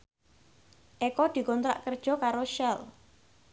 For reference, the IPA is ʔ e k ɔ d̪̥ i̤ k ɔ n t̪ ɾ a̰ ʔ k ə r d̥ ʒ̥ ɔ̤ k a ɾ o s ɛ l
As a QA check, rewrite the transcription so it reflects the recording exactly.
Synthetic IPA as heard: ʔ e k ɔ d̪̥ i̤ k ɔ n t̪ ɾ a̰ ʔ k ə r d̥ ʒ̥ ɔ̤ k a ɾ o ʃ ɛ l